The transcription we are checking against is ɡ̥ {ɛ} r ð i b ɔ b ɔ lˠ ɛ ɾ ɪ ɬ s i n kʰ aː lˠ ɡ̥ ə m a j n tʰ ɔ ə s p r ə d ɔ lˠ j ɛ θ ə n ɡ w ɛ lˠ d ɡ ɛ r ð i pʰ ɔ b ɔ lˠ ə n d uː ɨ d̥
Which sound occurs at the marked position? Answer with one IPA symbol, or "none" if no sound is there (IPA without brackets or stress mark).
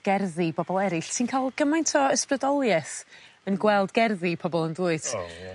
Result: ɛ